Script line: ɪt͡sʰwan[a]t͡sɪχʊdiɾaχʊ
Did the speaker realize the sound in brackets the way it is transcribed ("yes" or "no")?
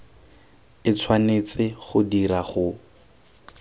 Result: no